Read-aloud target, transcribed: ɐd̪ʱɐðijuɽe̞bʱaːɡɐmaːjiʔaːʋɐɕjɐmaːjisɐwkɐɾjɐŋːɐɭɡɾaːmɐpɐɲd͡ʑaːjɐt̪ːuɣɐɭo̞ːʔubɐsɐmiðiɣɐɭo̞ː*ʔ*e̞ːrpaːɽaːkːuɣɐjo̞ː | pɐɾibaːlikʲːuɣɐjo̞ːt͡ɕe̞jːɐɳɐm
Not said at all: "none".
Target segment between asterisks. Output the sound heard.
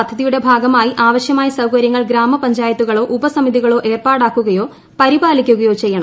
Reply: ʔ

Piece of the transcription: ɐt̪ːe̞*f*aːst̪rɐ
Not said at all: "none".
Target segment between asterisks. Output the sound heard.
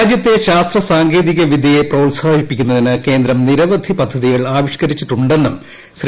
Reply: ɕ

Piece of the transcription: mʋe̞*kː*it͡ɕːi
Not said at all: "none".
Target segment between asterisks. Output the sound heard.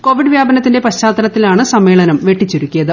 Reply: ʈː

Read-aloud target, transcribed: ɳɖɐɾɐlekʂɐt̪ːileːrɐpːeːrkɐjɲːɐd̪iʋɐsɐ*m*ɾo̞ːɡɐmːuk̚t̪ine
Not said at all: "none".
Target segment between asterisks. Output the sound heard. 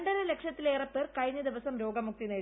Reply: m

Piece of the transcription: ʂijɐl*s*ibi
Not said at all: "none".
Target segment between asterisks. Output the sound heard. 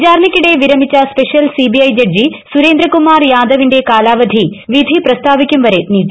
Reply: s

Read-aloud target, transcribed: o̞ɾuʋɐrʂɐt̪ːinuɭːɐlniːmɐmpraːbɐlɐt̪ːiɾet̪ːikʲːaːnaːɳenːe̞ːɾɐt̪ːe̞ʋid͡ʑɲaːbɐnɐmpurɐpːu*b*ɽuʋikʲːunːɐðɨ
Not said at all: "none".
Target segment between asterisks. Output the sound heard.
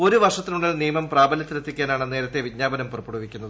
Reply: none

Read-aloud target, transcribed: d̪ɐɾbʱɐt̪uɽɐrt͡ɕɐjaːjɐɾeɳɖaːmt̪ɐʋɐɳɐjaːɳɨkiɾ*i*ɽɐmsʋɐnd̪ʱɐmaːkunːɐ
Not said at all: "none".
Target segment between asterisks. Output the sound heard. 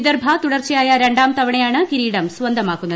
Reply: iː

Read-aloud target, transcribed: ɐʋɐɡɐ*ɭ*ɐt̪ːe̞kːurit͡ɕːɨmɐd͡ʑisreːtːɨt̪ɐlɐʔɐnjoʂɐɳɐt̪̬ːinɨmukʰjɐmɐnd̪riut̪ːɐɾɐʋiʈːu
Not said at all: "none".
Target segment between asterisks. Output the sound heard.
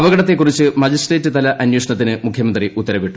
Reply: ɽ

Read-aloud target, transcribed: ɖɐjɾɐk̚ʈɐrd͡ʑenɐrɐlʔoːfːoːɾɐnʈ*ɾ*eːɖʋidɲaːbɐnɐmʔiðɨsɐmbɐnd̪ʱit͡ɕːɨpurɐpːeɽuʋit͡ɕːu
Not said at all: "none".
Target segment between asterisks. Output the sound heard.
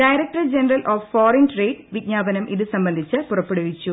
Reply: r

